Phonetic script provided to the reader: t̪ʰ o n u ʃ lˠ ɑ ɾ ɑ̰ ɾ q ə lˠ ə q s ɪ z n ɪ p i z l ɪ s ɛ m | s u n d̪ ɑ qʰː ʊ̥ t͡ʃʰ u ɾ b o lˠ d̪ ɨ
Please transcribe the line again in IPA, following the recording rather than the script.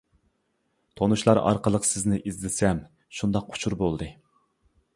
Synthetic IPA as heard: t̪ʰ o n u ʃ lˠ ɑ ɾ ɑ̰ ɾ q ə lˠ ə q s ɪ z n ɪ ʔ i z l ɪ s ɛ m | ʃ u n d̪ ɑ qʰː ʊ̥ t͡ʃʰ u ɾ b o lˠ d̪ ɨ